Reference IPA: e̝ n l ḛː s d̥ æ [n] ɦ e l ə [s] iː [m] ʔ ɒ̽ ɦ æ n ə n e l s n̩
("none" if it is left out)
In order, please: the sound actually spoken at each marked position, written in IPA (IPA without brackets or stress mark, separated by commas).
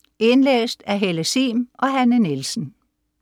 none, s, m